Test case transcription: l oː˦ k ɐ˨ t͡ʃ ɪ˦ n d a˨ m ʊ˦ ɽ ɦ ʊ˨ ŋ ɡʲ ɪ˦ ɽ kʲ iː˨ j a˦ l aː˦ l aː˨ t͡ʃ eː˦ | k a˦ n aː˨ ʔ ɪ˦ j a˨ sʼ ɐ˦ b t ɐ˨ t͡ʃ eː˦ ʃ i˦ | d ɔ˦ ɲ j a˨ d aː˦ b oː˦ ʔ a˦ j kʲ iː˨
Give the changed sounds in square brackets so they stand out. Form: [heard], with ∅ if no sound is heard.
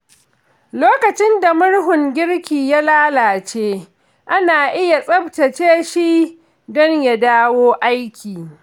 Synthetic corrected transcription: l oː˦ k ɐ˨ t͡ʃ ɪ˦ n d a˨ m ʊ˦ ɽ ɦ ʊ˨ ŋ ɡʲ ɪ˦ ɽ kʲ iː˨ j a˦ l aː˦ l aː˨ t͡ʃ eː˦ | [ʔ] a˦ n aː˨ ʔ ɪ˦ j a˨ sʼ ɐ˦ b t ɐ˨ t͡ʃ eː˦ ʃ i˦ | d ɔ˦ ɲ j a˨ d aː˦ [w] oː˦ ʔ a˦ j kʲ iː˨